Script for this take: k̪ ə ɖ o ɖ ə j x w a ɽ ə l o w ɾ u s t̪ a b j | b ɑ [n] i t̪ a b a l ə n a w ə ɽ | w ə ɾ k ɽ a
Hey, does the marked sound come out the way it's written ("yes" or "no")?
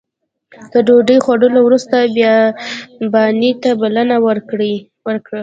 yes